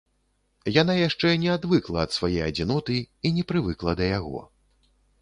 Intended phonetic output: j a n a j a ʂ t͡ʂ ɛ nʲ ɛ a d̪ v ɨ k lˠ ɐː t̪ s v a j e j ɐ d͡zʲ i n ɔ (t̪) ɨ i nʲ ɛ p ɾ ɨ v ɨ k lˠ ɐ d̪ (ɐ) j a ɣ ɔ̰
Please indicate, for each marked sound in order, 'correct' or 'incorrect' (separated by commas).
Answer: correct, correct